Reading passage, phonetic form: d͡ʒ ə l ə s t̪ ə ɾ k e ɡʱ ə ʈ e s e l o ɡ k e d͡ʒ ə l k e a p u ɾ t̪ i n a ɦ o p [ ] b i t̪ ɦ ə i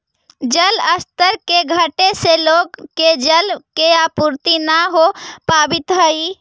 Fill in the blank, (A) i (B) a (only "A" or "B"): B